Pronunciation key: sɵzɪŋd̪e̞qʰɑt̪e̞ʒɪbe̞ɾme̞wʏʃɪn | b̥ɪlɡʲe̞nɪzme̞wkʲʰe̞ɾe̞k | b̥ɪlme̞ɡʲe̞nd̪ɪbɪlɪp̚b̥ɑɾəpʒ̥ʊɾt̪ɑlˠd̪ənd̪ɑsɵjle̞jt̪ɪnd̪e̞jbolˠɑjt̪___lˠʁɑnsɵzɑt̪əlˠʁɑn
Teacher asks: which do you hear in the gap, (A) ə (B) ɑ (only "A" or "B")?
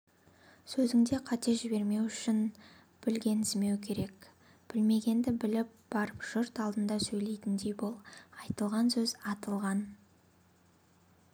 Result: A